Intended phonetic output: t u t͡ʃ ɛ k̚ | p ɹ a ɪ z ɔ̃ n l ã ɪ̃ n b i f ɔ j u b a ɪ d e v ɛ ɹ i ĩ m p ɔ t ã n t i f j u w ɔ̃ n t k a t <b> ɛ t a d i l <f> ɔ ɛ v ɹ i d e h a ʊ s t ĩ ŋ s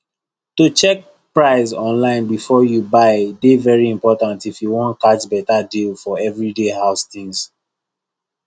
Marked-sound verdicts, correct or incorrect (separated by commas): correct, correct